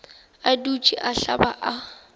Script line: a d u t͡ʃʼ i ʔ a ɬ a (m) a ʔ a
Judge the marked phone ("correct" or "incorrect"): incorrect